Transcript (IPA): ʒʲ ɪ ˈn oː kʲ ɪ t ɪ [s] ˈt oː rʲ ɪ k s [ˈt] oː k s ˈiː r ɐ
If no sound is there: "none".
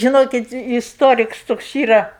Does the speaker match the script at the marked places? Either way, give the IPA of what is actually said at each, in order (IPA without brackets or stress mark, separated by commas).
s, t